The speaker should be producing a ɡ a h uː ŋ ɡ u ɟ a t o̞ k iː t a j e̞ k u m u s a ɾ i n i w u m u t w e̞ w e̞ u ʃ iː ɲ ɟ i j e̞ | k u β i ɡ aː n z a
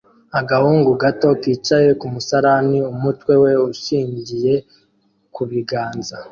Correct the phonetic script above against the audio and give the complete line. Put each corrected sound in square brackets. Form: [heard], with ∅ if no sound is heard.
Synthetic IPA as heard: a ɡ a h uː ŋ ɡ u [ɡ] a t o̞ k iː [t͡ʃ] a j e̞ k u m u s a ɾ [a] n i [∅] u m u t w e̞ w e̞ u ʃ iː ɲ ɟ i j e̞ | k u β i ɡ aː n z a